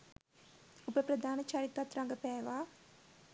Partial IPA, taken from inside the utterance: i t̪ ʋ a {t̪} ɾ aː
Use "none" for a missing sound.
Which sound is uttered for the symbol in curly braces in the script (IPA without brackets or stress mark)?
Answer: t̪